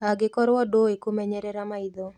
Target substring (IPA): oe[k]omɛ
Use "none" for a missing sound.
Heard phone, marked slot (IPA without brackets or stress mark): k